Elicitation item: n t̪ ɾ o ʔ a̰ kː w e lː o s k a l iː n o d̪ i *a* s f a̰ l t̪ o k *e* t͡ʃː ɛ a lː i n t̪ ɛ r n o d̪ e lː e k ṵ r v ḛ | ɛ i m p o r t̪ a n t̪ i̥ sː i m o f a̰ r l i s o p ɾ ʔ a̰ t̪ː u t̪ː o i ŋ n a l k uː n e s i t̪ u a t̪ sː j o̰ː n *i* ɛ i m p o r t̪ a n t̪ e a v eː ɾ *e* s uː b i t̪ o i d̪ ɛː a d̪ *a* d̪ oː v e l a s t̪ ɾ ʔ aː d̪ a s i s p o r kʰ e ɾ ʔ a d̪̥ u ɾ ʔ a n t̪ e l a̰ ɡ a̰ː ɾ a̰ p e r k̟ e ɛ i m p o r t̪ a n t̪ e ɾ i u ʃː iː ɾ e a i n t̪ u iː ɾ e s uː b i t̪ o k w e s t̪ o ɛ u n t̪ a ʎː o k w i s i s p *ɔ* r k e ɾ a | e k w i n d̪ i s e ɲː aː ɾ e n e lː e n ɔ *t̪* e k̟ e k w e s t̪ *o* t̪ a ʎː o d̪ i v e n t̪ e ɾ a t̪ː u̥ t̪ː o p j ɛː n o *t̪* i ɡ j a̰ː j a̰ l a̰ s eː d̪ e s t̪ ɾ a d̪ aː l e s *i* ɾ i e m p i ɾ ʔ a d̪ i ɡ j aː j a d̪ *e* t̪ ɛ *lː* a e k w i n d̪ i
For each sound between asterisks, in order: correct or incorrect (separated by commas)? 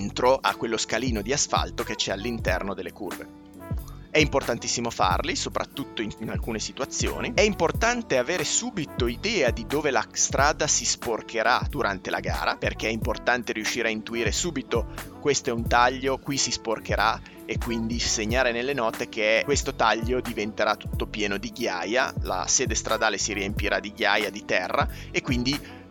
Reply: correct, correct, correct, correct, incorrect, incorrect, correct, correct, incorrect, correct, incorrect, incorrect